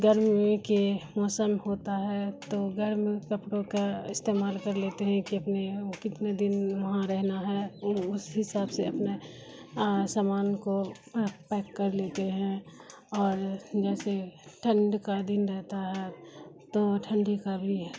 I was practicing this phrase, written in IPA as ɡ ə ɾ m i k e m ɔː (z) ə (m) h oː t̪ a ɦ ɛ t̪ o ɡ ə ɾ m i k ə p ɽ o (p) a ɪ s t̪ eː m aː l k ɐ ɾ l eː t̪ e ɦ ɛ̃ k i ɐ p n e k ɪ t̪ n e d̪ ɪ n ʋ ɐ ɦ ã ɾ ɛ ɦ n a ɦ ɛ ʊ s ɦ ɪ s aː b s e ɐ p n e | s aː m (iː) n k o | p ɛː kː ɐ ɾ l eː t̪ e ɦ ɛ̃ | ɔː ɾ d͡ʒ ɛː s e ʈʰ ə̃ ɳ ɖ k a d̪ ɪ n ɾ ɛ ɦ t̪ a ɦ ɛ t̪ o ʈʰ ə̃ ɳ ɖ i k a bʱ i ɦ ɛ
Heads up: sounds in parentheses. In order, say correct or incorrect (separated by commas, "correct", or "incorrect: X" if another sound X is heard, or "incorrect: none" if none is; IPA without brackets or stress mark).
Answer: incorrect: s, correct, incorrect: k, incorrect: aː